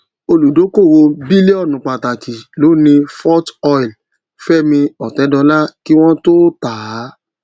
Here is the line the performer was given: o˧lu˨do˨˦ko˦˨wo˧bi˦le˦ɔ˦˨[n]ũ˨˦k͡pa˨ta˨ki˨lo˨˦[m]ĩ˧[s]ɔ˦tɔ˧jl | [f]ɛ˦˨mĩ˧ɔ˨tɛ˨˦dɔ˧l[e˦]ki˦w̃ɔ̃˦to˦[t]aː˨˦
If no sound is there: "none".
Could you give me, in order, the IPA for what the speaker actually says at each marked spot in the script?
n, n, f, f, a˦, t

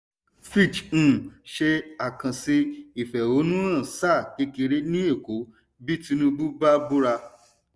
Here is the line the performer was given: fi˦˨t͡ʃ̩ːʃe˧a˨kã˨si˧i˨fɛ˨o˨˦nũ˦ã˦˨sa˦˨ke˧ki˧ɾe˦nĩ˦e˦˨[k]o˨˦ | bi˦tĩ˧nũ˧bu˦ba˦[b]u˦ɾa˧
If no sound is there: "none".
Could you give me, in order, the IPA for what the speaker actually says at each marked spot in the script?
k, b

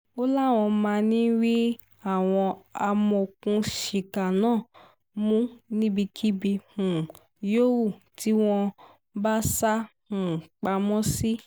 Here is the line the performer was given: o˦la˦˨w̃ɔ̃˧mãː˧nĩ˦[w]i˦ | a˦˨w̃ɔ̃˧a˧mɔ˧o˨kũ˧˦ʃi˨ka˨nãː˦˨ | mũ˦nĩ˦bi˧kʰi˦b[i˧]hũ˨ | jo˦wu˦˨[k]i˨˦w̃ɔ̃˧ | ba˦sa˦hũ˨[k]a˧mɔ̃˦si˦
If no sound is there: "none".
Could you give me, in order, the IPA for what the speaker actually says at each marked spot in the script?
w, i˧, t, k͡p

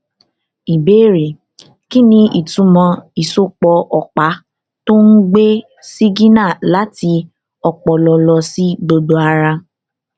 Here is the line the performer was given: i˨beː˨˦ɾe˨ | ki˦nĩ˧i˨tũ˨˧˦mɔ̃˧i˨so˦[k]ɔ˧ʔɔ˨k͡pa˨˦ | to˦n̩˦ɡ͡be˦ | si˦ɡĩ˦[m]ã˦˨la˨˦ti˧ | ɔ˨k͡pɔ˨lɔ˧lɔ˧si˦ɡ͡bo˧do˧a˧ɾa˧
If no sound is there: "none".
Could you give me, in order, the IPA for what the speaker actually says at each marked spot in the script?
k͡p, n

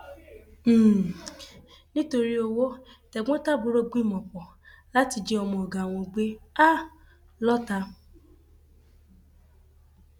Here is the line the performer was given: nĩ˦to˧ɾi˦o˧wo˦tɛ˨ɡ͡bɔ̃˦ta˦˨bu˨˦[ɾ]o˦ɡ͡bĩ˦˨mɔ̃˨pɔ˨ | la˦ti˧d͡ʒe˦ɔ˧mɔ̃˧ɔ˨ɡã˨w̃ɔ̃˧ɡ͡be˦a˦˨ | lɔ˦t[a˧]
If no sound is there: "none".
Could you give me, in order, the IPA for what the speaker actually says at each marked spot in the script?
ɾ, a˧

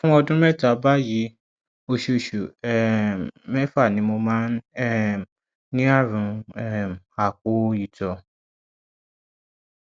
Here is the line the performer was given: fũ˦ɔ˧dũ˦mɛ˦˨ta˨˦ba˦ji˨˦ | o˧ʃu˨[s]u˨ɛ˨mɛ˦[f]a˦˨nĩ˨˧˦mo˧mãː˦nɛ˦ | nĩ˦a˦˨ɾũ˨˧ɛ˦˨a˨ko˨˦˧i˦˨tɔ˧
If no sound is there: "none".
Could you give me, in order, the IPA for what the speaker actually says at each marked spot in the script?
ʃ, f

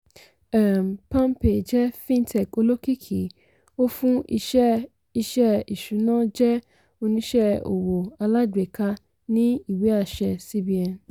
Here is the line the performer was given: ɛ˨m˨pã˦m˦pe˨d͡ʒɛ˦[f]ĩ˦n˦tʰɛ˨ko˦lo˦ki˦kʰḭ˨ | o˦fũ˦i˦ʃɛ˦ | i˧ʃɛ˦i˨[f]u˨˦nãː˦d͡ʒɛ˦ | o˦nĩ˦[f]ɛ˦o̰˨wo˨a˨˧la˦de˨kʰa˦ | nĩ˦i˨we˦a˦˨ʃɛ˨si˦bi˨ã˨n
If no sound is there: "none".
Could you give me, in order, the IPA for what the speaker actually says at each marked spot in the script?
f, ʃ, ʃ

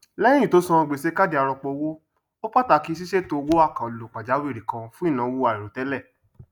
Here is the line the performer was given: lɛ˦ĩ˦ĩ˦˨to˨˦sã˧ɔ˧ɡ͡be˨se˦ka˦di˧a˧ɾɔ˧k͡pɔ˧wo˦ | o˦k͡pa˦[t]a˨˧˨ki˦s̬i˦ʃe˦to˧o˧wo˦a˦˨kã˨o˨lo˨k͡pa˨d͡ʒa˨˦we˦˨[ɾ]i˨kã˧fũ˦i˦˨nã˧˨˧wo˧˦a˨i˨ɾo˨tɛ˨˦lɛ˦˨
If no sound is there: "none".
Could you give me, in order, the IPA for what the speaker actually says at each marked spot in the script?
t, ɾ

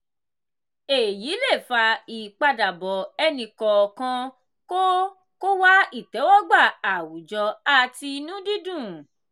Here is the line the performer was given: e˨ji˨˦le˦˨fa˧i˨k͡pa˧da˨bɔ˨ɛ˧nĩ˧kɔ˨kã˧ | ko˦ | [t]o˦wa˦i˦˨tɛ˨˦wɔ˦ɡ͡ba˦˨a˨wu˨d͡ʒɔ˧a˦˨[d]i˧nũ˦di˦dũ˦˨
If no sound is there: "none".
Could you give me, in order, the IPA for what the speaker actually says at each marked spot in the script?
k, t

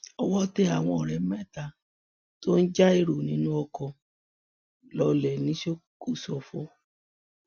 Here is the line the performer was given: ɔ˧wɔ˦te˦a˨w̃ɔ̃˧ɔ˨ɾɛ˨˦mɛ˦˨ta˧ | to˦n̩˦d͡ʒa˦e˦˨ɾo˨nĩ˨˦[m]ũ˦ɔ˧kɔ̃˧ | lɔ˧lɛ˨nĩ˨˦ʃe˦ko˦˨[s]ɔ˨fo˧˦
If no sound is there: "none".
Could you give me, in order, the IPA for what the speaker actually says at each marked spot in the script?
n, s

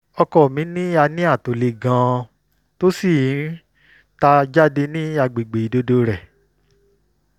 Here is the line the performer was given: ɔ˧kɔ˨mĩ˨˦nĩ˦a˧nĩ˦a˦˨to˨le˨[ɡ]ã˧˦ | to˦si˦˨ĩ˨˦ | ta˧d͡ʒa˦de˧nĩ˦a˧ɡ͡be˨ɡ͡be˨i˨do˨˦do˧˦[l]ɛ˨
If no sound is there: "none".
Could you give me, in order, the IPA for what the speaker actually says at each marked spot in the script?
ɡ, ɾ

